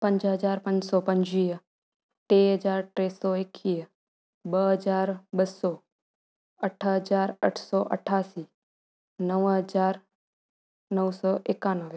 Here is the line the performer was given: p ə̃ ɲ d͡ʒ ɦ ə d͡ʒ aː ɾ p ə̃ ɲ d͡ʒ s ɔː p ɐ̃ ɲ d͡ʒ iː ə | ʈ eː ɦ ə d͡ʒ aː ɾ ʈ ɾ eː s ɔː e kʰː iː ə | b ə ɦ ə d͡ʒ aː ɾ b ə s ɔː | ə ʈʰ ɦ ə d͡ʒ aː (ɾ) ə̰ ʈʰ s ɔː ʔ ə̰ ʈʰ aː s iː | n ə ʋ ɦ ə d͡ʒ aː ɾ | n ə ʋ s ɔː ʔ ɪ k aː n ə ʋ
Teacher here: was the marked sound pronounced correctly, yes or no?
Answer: yes